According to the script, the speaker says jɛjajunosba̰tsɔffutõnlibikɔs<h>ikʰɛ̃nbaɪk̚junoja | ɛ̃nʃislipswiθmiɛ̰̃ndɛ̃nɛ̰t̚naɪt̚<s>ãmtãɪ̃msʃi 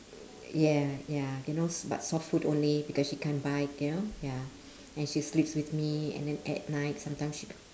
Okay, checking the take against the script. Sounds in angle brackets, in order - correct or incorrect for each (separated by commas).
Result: incorrect, correct